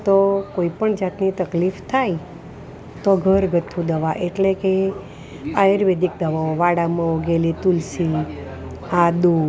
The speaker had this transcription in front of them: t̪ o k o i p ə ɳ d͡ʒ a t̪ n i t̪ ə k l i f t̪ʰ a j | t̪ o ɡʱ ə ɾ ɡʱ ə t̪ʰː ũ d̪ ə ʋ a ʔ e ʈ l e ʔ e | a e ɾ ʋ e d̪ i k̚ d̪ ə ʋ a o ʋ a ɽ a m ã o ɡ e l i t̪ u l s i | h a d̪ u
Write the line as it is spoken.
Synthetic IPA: t̪ o k o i p ə ɳ d͡ʒ a t̪ n i t̪ ə k l i f t̪ʰ a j | t̪ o ɡʱ ə ɾ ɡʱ ə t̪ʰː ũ d̪ ə ʋ a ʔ e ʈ l e k e | a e ɾ ʋ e d̪ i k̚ d̪ ə ʋ a o ʋ a ɽ a m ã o ɡ e l i t̪ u l s i | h a d̪ u